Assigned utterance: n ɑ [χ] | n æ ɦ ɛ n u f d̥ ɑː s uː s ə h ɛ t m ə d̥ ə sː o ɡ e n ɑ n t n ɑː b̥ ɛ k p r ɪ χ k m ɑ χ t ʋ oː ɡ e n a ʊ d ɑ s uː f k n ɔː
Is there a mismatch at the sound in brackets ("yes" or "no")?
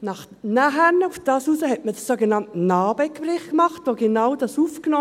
no